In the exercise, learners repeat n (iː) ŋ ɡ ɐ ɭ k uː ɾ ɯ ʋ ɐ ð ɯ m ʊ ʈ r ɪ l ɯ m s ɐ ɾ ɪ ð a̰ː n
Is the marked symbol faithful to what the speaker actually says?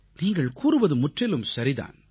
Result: yes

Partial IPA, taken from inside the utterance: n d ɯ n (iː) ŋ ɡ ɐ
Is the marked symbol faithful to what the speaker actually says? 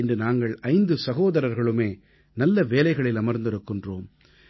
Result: no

